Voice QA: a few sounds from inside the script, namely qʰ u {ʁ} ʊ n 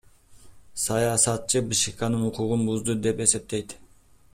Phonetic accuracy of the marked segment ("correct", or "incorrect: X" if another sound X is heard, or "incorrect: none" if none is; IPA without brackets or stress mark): correct